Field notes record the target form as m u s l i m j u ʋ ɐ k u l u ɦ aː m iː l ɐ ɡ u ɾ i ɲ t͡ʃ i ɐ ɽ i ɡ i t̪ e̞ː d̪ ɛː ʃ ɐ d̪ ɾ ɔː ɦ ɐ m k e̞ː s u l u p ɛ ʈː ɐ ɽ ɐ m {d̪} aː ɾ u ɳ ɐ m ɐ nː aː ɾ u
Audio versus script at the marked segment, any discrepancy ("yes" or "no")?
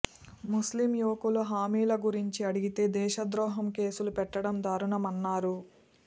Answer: no